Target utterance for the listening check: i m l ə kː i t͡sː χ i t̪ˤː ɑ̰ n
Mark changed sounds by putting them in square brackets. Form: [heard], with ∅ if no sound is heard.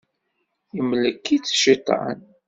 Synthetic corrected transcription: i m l ə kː i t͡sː [ʃ] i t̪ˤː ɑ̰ n